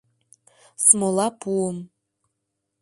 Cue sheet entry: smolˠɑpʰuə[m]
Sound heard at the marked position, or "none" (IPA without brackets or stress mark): m